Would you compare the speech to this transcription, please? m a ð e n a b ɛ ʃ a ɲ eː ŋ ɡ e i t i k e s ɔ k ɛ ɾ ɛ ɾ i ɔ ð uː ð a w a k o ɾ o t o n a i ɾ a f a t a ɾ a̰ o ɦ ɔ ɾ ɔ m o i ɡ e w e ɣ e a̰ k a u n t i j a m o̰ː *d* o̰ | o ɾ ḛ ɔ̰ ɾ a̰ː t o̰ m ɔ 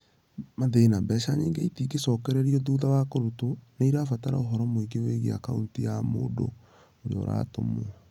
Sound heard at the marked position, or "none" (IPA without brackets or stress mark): d